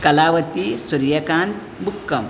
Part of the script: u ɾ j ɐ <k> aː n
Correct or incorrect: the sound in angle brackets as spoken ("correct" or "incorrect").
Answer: correct